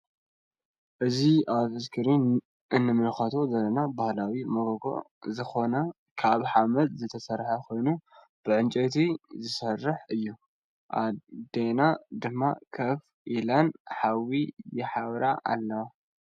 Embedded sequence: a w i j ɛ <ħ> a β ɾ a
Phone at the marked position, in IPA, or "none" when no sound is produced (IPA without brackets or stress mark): ħ